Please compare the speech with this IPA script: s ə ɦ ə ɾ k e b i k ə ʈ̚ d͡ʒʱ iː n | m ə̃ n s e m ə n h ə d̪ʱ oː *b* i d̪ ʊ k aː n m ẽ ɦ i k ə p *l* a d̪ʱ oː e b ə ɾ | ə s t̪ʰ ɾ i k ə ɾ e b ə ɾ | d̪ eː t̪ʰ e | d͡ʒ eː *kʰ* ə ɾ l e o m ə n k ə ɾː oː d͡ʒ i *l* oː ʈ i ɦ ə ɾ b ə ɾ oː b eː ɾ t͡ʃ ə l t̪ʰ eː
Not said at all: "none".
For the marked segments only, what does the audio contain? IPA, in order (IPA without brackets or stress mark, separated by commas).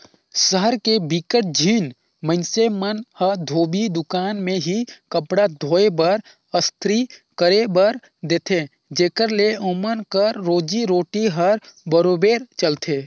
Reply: b, ɽ, k, ɾ